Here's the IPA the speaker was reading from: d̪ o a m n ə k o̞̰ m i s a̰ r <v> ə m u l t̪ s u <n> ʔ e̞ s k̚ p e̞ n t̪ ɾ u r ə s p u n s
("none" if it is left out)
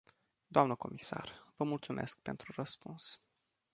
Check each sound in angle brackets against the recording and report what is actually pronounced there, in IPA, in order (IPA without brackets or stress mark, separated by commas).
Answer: v, m